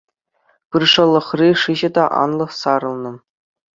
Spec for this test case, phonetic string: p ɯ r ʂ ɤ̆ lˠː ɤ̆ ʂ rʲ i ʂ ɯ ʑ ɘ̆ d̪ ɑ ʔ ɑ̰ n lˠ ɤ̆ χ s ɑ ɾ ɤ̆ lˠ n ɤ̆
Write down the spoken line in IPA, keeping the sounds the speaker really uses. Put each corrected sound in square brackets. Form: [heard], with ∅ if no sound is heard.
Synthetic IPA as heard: p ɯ r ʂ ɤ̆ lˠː ɤ̆ [χ] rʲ i ʂ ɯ ʑ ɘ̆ d̪ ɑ ʔ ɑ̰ n lˠ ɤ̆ χ s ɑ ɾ ɤ̆ lˠ n ɤ̆